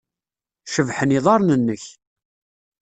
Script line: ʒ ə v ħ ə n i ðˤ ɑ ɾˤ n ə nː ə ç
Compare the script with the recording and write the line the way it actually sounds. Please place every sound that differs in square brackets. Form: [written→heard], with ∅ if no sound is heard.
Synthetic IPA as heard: [ʒ→ʃ] ə v ħ ə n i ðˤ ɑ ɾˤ n ə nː ə ç